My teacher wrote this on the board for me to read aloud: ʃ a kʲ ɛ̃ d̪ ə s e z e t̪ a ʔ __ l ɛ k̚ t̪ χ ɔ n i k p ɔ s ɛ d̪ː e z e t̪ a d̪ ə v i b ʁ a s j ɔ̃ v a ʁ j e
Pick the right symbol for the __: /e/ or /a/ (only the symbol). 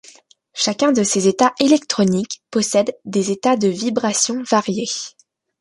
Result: e